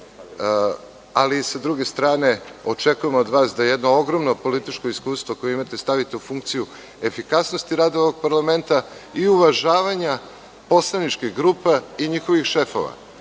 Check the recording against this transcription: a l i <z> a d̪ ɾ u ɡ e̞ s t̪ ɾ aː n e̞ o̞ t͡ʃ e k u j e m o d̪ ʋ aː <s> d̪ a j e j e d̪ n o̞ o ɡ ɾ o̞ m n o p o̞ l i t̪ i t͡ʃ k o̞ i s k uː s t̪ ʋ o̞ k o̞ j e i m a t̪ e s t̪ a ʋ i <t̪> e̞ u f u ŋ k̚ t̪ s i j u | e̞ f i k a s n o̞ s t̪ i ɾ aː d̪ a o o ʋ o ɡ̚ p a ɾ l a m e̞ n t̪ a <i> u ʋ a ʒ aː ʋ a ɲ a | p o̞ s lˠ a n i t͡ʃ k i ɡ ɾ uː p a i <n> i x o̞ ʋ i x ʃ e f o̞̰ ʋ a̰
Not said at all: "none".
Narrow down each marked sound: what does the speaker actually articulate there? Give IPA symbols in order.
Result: s, s, t̪, i, ɲ

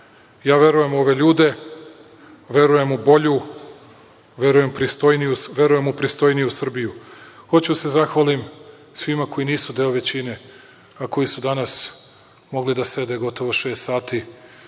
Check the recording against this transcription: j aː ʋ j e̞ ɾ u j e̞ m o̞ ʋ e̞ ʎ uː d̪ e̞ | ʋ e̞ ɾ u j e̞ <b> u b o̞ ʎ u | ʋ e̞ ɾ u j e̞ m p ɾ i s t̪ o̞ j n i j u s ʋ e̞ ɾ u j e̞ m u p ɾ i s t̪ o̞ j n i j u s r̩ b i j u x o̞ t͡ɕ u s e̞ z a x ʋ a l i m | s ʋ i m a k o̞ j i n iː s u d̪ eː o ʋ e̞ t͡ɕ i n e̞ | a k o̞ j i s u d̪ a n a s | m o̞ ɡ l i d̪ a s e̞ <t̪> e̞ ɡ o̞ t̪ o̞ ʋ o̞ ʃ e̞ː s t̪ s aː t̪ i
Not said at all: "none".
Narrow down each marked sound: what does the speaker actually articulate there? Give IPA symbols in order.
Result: m, d̪

